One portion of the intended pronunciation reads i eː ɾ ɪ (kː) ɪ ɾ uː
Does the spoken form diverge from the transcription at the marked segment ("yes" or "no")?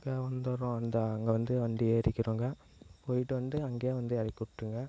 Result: no